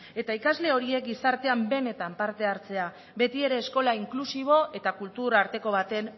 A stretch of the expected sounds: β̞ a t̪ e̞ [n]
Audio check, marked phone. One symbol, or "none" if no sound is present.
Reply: n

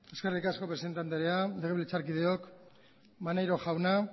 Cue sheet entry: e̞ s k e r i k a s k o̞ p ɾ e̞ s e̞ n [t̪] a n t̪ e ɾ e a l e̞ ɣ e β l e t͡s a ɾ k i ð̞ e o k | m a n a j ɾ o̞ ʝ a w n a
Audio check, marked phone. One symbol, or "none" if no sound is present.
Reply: t̪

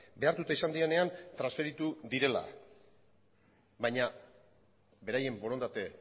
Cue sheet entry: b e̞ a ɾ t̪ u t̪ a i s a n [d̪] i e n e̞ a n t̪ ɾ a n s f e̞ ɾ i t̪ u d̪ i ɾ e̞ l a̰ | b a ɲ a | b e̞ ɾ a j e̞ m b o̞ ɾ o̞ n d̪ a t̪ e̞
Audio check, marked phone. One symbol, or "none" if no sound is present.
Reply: d̪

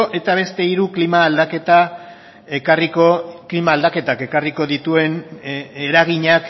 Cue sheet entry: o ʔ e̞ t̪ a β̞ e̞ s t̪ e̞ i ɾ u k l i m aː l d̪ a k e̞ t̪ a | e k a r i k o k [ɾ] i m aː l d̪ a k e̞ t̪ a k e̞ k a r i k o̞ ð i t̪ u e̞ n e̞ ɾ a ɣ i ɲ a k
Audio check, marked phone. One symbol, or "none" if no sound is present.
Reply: l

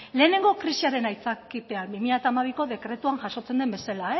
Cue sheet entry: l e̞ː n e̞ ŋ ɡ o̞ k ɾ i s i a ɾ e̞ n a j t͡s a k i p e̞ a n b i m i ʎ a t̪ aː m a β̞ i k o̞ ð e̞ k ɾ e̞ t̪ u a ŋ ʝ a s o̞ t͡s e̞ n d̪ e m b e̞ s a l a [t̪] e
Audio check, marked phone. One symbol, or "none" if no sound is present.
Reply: none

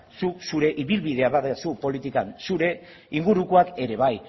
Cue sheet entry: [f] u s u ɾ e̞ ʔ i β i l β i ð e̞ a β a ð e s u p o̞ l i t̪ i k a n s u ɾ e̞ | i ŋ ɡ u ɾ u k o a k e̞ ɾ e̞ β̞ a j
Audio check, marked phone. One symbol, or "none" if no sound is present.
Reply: s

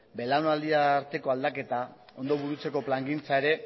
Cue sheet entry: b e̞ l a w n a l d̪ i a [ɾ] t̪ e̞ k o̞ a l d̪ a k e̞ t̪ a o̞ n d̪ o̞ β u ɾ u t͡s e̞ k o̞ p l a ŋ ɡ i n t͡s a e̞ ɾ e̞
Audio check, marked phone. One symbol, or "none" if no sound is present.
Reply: ɾ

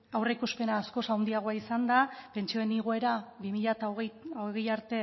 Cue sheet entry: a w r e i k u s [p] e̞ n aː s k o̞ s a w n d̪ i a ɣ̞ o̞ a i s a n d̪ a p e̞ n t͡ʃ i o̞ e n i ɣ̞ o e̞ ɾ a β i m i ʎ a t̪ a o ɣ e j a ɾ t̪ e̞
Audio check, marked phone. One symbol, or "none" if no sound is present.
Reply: p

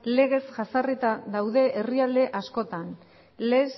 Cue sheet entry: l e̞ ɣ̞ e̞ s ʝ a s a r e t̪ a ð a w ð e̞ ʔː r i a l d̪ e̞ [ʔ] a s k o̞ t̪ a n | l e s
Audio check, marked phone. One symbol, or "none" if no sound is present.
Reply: ʔ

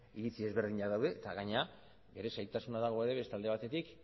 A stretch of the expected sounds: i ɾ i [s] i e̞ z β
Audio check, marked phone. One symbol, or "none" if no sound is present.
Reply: t͡s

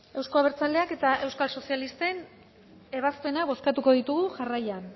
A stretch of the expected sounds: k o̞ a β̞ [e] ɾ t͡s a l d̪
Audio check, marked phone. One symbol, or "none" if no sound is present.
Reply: e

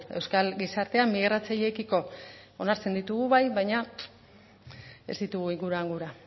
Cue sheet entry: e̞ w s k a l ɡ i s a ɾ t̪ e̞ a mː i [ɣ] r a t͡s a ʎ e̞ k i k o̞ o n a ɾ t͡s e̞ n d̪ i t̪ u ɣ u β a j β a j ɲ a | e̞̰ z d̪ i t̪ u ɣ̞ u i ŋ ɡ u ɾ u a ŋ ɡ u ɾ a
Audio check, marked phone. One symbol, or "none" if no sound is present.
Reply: ɣ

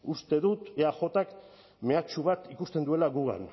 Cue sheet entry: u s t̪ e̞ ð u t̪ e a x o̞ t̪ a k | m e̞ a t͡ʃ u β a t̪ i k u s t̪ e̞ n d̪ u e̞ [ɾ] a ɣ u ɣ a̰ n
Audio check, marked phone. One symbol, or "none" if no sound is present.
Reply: l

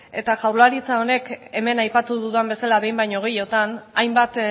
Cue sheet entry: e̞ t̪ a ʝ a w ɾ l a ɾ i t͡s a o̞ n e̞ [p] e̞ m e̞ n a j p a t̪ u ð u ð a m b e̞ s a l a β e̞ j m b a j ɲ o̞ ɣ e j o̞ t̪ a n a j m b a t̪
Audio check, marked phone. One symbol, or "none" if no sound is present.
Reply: k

